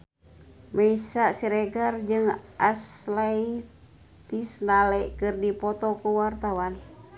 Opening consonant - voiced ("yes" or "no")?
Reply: yes